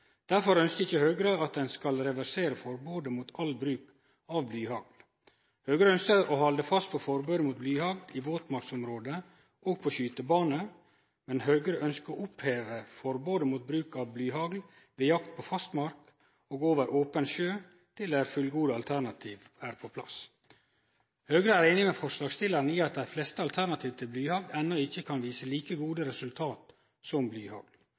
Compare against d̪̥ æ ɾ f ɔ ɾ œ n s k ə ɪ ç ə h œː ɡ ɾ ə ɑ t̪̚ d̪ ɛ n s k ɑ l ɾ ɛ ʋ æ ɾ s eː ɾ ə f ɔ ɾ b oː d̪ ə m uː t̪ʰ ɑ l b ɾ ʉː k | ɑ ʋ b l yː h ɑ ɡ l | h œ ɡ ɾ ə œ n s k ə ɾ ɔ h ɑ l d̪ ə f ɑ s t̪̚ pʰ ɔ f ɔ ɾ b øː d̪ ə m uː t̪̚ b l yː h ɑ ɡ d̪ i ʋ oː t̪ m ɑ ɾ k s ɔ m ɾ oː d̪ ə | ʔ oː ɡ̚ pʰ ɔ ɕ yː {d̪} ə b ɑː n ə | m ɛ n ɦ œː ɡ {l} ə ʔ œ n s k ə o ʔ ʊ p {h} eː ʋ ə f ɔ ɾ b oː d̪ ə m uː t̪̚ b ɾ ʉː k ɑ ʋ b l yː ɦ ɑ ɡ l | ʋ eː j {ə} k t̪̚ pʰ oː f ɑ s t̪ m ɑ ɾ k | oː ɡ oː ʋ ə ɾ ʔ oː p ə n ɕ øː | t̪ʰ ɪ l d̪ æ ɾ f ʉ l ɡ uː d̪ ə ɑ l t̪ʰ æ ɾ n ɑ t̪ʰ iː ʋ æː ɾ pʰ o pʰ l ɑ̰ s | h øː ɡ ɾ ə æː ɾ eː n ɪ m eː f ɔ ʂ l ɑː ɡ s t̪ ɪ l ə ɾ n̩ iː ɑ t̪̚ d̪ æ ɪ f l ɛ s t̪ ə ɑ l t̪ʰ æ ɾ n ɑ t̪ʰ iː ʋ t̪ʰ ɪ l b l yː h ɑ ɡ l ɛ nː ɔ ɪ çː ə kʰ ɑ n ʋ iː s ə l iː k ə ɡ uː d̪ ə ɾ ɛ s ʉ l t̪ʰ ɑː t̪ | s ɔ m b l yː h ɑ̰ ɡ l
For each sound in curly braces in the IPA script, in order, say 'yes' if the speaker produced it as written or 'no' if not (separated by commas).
no, no, yes, no